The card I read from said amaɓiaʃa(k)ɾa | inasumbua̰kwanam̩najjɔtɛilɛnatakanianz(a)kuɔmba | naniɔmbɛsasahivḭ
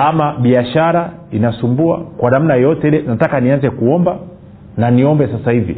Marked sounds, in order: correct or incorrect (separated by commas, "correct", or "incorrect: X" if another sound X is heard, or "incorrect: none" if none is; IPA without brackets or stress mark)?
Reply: incorrect: none, incorrect: ɛ